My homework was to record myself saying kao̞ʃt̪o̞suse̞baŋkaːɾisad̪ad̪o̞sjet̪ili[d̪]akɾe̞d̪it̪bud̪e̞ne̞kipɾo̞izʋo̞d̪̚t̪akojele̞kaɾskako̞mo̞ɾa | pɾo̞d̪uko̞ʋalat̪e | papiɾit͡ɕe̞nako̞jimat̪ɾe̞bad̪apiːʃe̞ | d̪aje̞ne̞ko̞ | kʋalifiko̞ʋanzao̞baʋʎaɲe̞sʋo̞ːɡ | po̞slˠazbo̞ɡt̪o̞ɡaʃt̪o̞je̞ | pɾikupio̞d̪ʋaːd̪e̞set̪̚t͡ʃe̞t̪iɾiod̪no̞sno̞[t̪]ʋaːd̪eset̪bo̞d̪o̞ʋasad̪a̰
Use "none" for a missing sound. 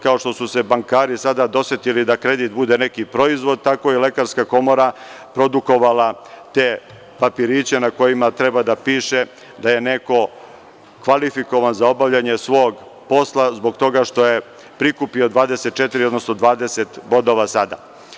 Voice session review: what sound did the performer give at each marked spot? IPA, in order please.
d̪, d̪

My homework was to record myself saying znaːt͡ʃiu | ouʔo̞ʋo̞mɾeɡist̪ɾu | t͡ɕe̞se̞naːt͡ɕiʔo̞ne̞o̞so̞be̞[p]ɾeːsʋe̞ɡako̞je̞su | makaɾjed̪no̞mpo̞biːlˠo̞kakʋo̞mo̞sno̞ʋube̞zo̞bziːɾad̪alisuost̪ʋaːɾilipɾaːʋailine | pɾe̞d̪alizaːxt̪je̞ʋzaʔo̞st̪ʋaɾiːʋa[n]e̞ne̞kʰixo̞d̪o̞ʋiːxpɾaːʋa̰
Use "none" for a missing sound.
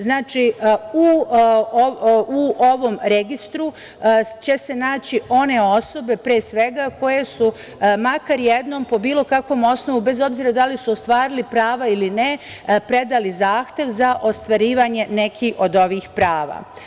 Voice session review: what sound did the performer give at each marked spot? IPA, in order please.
p, ɲ

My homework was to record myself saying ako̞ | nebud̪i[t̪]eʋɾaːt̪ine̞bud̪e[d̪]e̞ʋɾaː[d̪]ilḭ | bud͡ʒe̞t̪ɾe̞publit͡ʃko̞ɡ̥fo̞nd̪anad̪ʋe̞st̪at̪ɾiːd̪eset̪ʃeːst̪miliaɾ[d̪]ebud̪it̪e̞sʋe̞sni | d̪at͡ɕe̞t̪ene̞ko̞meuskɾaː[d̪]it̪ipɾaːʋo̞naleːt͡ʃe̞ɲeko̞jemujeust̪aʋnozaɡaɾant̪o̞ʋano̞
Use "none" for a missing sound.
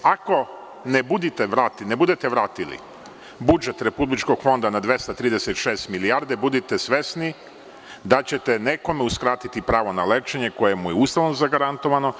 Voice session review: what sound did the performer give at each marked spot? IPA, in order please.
t̪, t̪, t̪, d̪, t̪

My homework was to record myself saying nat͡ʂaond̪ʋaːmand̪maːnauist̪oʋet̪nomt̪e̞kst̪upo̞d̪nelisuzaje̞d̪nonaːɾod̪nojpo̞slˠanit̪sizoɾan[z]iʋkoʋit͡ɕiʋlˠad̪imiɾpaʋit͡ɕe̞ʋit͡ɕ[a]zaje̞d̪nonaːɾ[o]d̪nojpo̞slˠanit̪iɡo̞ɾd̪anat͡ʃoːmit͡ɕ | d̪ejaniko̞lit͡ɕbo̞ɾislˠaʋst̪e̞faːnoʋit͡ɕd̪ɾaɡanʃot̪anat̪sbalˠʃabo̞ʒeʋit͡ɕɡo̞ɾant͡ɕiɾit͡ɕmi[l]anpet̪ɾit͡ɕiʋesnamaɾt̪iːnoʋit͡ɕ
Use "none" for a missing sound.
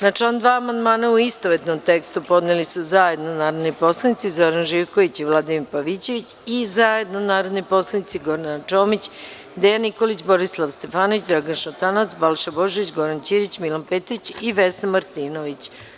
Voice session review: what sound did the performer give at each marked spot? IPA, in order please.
ʒ, i, o, l

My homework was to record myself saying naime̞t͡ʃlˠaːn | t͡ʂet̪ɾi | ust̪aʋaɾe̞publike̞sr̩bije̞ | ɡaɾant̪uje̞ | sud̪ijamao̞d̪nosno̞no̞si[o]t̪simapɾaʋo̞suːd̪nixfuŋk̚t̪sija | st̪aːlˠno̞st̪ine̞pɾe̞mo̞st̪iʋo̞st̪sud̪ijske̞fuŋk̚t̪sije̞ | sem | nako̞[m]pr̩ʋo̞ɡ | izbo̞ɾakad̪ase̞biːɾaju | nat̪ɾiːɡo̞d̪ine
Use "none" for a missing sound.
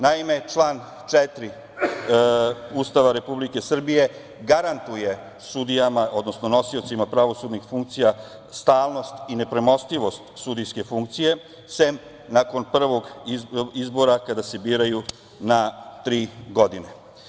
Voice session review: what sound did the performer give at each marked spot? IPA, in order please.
o, n

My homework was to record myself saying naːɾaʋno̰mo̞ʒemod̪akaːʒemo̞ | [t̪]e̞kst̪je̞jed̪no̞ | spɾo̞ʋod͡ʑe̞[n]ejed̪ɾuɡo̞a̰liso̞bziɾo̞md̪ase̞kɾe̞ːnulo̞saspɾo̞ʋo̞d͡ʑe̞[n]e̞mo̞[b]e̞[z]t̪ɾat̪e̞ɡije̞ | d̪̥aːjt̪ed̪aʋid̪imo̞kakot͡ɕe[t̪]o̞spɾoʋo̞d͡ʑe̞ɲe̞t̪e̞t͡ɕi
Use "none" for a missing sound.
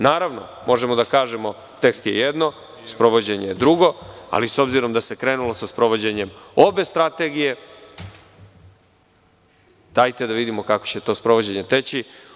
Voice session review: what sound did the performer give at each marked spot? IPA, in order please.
t̪, ɲ, ɲ, b, s, t̪

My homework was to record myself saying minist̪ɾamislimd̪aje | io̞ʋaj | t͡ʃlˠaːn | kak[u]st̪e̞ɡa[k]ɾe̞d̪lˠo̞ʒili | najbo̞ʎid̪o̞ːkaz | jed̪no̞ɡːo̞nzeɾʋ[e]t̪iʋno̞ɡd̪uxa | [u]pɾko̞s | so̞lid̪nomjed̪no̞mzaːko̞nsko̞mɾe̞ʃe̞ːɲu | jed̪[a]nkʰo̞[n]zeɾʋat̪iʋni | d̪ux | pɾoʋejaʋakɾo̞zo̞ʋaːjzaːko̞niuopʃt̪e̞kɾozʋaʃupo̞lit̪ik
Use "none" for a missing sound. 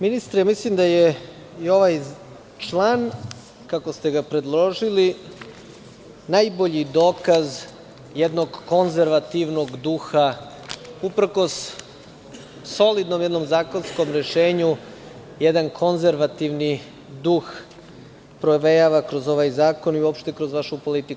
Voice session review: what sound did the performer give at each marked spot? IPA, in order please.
o, p, a, u, a, n

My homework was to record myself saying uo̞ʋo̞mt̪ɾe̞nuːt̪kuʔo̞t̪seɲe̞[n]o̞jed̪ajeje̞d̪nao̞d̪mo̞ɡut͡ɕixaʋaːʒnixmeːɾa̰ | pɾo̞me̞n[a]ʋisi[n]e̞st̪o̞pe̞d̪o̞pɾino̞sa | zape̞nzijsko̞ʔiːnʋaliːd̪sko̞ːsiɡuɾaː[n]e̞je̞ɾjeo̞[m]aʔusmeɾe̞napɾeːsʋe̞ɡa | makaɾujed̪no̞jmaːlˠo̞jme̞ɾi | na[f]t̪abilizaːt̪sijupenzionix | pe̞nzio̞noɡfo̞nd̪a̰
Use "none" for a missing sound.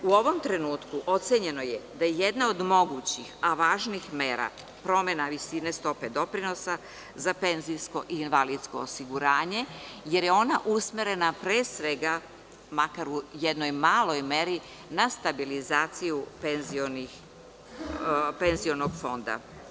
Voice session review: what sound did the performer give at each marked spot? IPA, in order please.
n, a, n, ɲ, n, s

